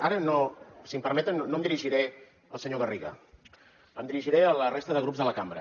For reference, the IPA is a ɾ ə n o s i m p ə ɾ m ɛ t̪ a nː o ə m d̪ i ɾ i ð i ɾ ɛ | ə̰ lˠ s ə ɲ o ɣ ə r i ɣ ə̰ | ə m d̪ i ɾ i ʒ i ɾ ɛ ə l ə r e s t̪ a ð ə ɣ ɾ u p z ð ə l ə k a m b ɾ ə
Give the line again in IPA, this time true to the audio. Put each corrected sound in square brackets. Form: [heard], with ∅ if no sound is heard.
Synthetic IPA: a ɾ ə n o s i m p ə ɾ m ɛ t̪ [ə] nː o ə m d̪ i ɾ i [ʒ] i ɾ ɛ | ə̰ lˠ s ə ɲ o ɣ ə r i ɣ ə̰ | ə m d̪ i ɾ i ʒ i ɾ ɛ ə l ə r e s t̪ [ə] ð ə ɣ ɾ u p z ð ə l ə k a m b ɾ ə